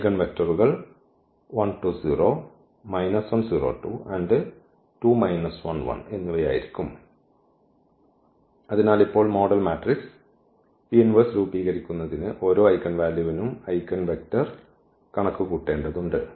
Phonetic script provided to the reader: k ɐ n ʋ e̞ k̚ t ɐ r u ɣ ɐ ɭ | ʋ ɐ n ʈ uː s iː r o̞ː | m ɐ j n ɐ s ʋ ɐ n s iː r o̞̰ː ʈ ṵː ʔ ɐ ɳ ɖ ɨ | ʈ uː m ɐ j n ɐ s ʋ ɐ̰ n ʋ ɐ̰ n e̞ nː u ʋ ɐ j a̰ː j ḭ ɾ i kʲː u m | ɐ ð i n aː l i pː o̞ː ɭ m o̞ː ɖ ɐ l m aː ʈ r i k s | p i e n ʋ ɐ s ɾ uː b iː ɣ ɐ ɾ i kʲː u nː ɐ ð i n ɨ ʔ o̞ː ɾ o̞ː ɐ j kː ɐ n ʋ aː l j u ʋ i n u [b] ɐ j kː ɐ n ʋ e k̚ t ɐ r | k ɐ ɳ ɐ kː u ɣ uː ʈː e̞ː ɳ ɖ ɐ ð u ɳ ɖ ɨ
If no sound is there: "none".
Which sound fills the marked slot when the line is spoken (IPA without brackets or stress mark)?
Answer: m